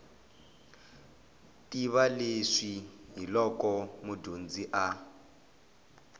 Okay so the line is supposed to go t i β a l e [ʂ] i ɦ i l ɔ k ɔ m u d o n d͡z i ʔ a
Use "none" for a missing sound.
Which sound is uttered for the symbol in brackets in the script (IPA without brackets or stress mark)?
ʂ